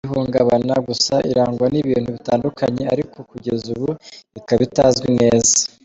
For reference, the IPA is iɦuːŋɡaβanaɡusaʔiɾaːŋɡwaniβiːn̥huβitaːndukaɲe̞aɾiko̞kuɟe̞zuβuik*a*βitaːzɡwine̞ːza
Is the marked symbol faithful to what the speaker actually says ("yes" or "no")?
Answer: yes